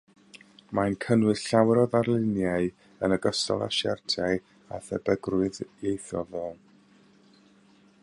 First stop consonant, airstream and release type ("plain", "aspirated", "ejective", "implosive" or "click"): aspirated